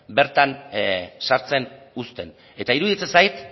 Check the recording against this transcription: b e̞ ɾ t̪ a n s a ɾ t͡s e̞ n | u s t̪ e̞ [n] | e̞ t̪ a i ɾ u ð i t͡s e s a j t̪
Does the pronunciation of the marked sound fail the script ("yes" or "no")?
no